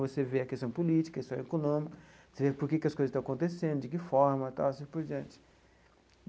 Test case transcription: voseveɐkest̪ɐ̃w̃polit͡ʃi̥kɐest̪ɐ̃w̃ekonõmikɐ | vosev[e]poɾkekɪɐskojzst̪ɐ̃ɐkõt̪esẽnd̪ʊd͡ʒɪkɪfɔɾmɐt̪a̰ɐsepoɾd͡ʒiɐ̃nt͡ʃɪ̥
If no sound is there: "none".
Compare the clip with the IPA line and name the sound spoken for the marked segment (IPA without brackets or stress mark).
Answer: e